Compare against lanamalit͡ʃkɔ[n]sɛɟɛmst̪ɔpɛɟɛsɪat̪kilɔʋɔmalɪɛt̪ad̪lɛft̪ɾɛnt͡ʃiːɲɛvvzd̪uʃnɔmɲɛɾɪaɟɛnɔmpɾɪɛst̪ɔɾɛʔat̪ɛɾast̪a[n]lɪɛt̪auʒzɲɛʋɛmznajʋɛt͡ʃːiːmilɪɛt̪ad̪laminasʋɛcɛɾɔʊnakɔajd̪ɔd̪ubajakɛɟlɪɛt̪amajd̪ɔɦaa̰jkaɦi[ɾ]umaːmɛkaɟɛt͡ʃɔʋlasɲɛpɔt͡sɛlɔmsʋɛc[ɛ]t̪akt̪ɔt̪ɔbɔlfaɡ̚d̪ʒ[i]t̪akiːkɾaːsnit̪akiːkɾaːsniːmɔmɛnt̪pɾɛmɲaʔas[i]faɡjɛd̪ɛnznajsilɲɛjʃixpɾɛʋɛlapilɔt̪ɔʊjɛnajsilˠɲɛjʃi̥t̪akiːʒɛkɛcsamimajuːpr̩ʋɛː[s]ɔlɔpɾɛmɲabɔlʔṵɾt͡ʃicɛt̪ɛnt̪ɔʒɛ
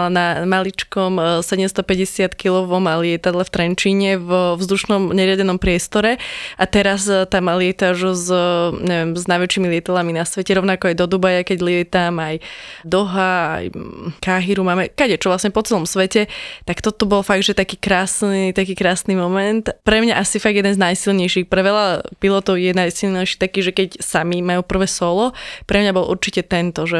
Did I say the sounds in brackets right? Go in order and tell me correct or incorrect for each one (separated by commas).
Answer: incorrect, incorrect, correct, correct, incorrect, correct, correct